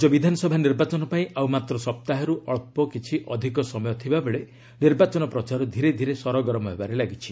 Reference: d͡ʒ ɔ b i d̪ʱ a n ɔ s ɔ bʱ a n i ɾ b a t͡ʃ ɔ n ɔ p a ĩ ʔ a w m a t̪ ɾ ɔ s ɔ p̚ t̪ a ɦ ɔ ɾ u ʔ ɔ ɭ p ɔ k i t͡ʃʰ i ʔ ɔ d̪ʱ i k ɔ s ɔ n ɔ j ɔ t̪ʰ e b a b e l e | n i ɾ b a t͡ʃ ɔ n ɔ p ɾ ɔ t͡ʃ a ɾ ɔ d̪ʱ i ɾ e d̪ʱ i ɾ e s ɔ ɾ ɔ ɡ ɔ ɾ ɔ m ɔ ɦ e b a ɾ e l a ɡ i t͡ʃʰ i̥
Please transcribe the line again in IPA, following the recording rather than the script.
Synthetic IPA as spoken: d͡ʒ ɔ b i d̪ʱ a n ɔ s ɔ bʱ a n i ɾ b a t͡ʃ ɔ n ɔ p a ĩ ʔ a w m a t̪ ɾ ɔ s ɔ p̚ t̪ a ɦ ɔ ɾ u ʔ ɔ ɭ p ɔ k i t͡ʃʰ i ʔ ɔ d̪ʱ i k ɔ s ɔ m ɔ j ɔ t̪ʰ i b a b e ɭ e | n i ɾ b a t͡ʃ ɔ n ɔ p ɾ ɔ t͡ʃ a ɾ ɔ d̪ʱ i ɾ e d̪ʱ i ɾ e s ɔ ɾ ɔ ɡ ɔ ɾ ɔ m ɔ ɦ e b a ɾ e l a ɡ i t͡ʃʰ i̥